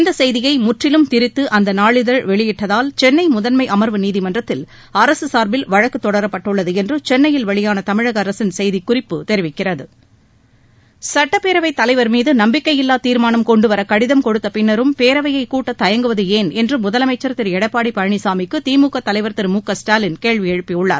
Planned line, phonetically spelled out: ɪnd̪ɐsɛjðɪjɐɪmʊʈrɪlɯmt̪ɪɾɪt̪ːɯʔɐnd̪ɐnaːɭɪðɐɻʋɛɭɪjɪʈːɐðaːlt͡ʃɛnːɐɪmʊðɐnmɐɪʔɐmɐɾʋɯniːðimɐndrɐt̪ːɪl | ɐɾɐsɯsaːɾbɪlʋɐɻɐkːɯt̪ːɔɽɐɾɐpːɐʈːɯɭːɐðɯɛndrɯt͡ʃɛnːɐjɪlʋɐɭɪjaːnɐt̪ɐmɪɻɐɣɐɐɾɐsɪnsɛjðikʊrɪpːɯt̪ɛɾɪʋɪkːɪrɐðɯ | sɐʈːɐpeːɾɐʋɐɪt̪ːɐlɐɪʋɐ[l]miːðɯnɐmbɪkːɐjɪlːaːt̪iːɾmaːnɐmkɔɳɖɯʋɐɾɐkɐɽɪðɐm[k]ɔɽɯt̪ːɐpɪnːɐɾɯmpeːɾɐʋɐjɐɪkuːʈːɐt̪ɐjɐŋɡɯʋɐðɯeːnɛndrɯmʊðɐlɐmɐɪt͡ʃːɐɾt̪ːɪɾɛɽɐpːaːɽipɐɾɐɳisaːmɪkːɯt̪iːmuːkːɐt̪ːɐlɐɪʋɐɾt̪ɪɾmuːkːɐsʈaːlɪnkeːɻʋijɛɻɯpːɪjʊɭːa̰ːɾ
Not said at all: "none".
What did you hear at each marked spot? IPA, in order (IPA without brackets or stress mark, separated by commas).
ɾ, k